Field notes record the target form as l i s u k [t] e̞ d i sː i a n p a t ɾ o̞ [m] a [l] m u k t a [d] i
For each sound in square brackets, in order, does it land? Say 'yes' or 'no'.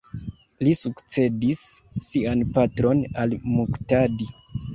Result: no, no, yes, yes

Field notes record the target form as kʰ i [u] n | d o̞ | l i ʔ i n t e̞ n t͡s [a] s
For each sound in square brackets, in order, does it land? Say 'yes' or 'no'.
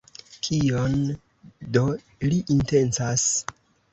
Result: no, yes

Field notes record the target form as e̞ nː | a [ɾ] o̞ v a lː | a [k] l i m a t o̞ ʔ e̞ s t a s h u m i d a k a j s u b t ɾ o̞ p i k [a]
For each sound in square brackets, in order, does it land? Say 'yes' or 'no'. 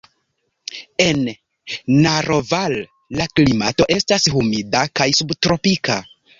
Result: yes, yes, yes

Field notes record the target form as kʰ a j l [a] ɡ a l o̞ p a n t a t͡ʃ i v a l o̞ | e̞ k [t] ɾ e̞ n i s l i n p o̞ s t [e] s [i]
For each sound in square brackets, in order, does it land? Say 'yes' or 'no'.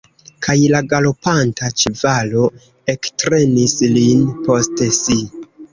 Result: yes, yes, yes, yes

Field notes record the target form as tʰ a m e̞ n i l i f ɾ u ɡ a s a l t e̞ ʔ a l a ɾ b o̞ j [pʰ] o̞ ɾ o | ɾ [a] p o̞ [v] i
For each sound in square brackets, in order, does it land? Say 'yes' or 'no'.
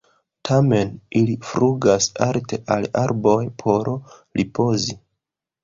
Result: yes, no, no

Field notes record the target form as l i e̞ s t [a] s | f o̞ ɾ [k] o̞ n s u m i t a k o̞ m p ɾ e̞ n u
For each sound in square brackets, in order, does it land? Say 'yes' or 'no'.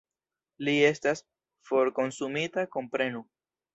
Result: yes, yes

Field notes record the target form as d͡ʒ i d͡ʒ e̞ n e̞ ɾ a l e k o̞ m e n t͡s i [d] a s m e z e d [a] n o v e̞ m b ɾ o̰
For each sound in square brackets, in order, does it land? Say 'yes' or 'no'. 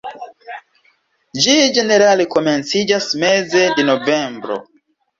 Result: no, no

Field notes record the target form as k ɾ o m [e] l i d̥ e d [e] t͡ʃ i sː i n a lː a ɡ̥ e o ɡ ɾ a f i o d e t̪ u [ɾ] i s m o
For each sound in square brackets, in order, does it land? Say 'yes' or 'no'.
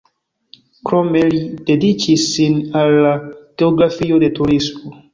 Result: yes, no, yes

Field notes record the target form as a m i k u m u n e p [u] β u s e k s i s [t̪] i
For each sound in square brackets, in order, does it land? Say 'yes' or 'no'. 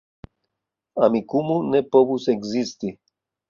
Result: no, yes

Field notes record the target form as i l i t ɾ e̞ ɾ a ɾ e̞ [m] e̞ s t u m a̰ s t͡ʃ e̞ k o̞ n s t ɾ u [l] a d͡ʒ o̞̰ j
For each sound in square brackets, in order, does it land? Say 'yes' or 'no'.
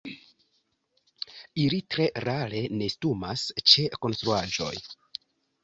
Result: no, no

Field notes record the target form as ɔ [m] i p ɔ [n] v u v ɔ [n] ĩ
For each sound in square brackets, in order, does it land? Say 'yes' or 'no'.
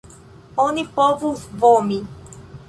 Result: no, no, no

